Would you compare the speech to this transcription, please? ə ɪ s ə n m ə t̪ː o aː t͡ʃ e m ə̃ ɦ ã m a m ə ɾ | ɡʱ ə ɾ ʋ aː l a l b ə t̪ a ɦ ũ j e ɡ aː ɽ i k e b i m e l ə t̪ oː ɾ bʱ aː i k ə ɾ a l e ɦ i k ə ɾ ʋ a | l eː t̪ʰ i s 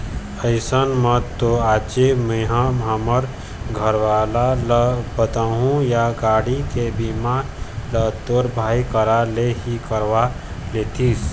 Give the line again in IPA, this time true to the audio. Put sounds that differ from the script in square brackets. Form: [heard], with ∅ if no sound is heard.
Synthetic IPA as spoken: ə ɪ s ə n m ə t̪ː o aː t͡ʃ e m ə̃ ɦ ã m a m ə ɾ | ɡʱ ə ɾ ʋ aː l a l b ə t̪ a ɦ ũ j [a] ɡ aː ɽ i k e b i m [a] l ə t̪ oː ɾ bʱ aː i k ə ɾ a l e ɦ i k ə ɾ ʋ a | l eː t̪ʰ i s